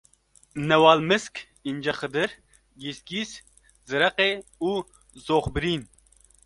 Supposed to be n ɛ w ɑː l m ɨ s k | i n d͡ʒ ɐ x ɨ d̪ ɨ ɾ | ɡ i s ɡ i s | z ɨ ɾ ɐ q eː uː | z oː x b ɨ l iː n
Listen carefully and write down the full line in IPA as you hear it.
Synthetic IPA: n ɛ w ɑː l m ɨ s k | i n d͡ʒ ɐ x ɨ d̪ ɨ ɾ | ɡ i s ɡ i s | z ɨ ɾ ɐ q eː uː | z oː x b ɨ ɾ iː n